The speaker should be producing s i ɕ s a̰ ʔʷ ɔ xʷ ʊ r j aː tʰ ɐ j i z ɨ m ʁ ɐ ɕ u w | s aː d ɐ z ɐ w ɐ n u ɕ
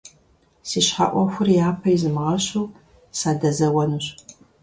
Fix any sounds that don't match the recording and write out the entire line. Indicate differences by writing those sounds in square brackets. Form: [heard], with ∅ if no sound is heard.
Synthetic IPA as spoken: s i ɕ [ħ] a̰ ʔʷ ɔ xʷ ʊ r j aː [pʰ] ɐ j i z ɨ m ʁ ɐ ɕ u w | s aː d ɐ z ɐ w ɐ n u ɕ